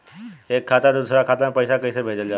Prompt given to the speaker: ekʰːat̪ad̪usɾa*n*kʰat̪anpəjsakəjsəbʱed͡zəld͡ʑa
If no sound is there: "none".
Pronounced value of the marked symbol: none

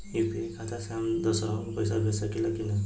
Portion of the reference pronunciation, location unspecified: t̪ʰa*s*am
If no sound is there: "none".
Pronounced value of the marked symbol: s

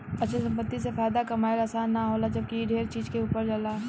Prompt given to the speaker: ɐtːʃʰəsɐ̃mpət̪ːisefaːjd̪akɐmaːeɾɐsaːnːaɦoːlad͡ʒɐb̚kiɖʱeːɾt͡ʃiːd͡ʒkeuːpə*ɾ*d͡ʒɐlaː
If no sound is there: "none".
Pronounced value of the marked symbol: ɾ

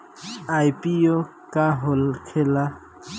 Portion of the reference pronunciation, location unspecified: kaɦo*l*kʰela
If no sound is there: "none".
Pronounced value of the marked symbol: l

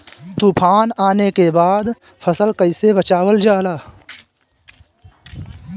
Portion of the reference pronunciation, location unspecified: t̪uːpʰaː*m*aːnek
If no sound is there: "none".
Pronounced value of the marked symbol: n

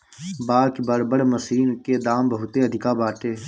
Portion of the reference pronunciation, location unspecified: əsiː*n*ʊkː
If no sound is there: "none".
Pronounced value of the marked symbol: n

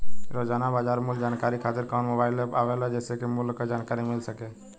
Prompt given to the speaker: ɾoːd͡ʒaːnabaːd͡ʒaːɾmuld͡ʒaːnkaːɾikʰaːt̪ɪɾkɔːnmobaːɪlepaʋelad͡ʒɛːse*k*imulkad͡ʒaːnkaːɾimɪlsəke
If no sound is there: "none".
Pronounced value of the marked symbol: k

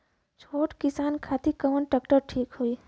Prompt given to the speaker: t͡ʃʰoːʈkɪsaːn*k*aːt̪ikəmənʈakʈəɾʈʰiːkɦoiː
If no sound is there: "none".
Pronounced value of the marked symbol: kʰ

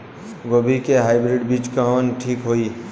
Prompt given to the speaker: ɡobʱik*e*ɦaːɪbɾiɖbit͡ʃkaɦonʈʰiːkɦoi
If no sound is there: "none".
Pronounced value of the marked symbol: e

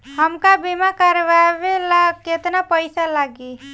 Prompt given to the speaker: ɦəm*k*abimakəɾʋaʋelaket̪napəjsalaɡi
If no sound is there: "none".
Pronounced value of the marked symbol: k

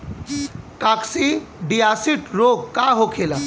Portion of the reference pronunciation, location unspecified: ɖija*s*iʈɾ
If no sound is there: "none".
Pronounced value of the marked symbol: s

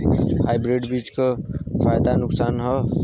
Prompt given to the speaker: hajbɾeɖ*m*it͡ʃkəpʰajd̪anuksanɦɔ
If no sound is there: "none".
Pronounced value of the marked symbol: b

